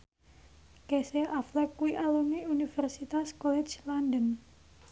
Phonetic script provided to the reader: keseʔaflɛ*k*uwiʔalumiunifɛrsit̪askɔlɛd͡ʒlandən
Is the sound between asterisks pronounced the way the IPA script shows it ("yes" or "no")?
yes